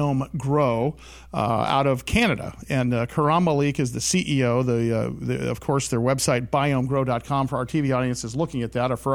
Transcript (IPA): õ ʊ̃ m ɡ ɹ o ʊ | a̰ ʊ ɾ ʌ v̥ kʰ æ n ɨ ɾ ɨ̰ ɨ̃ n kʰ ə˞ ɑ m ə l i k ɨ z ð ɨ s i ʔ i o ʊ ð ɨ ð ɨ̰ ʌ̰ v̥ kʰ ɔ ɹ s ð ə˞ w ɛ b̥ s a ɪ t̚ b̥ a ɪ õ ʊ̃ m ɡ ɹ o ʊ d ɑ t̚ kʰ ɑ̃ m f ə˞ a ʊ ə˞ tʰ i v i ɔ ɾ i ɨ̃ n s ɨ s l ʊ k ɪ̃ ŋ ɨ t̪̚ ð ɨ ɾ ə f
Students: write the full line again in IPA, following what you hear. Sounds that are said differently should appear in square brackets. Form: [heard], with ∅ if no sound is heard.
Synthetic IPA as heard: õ ʊ̃ m ɡ ɹ o ʊ | a̰ ʊ ɾ ʌ v̥ kʰ æ n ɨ ɾ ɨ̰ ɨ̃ n kʰ ə˞ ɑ m ə l i k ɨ z ð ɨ s i ʔ i o ʊ ð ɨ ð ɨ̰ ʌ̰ v̥ kʰ ɔ ɹ s ð ə˞ w ɛ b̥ s a ɪ t̚ b̥ a ɪ õ ʊ̃ m ɡ ɹ o ʊ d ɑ t̚ kʰ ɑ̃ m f ə˞ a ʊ ə˞ tʰ i v i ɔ ɾ i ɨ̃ n s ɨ [z] l ʊ k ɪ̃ ŋ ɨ t̪̚ ð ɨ ɾ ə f